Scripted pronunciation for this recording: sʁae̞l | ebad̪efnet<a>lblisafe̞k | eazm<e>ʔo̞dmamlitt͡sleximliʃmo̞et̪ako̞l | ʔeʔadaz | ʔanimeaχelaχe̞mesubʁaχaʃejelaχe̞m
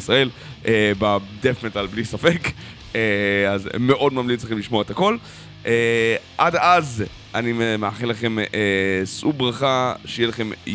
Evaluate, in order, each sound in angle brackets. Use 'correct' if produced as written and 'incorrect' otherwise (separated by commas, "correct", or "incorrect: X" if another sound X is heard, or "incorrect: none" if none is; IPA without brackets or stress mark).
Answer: correct, correct